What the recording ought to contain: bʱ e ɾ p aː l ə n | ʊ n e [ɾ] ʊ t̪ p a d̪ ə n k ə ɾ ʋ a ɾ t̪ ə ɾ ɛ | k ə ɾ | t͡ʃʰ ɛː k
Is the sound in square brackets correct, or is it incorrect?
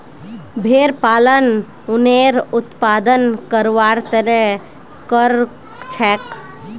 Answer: correct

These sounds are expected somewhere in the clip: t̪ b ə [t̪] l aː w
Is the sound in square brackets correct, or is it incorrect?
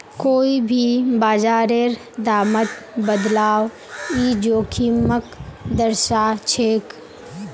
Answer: incorrect: d̪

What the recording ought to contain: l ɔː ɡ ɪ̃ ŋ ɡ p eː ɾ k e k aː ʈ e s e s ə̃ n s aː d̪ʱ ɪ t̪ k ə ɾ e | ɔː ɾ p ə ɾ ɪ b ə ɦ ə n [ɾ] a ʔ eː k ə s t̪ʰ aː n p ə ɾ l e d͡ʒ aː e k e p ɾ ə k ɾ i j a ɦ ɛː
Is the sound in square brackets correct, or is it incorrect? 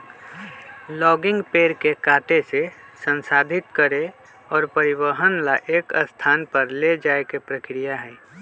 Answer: incorrect: l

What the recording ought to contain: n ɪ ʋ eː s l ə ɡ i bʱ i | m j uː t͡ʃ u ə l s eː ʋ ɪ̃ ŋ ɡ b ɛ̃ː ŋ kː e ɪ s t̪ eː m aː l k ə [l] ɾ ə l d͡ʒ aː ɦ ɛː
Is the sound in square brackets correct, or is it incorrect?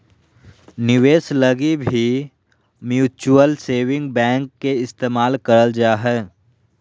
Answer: incorrect: none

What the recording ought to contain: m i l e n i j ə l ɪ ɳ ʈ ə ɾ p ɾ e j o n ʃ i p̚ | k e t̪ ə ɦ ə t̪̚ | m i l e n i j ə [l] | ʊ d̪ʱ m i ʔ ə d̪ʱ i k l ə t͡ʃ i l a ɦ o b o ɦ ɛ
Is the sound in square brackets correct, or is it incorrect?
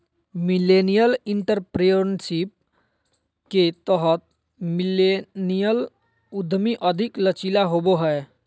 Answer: correct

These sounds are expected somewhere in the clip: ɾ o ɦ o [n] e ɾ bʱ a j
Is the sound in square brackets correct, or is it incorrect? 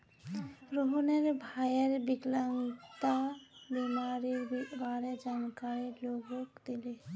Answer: correct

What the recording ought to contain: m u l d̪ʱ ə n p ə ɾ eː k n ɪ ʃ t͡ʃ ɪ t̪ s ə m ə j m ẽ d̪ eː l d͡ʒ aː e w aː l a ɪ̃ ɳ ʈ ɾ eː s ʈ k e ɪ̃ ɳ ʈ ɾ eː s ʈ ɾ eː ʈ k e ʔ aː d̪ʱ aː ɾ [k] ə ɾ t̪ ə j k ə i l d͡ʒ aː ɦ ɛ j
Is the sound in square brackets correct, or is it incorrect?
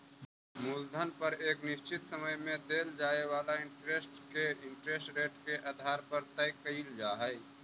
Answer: incorrect: p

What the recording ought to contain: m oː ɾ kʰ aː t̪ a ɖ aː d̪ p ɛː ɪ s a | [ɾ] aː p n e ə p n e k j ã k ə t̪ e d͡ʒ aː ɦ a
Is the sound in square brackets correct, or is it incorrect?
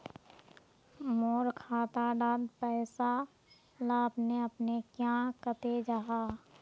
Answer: incorrect: l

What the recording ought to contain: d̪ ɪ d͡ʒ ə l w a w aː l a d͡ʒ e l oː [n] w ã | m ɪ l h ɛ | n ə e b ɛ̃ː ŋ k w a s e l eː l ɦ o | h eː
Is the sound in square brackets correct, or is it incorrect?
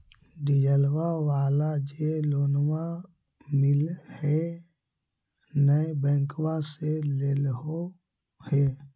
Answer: correct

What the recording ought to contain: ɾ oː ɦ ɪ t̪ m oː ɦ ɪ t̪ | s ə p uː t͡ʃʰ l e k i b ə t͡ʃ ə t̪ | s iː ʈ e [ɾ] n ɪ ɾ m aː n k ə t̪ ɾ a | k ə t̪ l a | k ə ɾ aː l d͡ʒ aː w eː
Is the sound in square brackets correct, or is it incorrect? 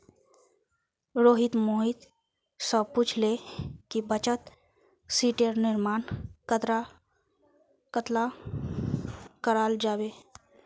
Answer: correct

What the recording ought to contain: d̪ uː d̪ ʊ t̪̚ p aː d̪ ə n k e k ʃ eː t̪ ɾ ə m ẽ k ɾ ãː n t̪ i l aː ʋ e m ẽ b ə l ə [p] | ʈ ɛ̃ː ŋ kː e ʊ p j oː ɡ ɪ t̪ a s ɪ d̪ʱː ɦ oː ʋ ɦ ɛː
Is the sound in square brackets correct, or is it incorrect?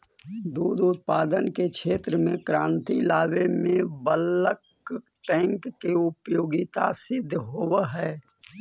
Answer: incorrect: k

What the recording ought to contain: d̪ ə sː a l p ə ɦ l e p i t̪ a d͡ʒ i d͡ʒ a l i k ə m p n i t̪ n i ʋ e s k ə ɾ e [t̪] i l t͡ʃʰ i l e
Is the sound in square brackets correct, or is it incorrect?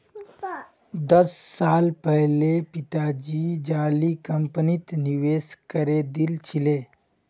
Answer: incorrect: d̪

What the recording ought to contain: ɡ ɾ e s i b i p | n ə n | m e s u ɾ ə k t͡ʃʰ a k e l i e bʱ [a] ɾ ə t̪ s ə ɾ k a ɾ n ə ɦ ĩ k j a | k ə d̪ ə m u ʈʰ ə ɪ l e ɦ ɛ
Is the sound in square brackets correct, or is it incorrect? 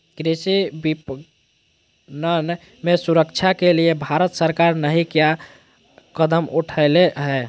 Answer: correct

